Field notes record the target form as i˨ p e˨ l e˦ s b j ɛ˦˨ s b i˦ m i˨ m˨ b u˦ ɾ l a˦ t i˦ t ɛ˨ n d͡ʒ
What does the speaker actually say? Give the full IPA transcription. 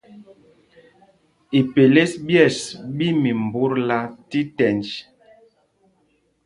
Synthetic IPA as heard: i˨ p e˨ l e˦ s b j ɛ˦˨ s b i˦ m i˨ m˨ b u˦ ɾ l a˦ t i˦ t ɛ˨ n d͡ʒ